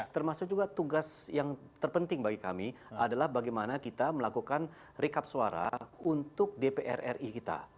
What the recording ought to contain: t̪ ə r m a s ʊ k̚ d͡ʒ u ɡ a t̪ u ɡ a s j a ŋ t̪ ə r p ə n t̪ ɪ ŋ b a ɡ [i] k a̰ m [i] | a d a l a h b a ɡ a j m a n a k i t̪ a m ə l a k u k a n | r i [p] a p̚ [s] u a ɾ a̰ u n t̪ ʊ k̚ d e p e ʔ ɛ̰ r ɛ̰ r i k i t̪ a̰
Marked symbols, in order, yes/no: yes, yes, no, yes

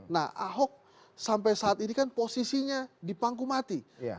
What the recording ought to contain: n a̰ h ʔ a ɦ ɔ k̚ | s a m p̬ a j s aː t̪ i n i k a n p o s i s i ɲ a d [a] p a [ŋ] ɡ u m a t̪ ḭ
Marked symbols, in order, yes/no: no, yes

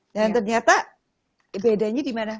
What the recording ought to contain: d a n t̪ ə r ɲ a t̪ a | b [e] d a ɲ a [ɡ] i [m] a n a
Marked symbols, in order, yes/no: yes, no, yes

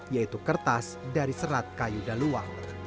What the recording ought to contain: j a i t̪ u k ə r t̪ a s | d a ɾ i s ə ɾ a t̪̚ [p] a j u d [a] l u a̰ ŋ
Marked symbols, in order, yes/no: no, yes

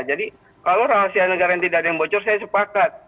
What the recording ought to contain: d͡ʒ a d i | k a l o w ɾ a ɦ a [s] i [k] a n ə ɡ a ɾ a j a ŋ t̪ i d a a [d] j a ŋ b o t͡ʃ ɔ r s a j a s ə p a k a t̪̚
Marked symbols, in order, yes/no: yes, no, yes

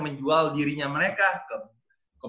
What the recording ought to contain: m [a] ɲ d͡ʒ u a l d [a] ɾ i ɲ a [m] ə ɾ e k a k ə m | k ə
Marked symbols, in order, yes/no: no, no, yes

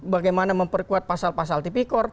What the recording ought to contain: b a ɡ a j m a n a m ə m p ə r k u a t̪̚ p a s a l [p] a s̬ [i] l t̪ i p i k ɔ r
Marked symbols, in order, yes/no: yes, no

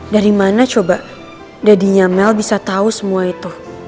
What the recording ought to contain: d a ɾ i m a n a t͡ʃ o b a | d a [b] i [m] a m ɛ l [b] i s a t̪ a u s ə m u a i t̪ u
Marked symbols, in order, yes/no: no, no, yes

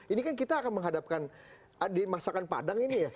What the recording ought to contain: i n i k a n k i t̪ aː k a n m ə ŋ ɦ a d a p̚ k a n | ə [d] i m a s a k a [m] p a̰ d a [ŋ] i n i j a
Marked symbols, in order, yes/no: yes, no, yes

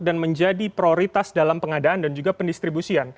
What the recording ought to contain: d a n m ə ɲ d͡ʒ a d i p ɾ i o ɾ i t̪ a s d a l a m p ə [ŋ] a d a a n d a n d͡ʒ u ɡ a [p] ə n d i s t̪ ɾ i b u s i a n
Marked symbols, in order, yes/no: yes, yes

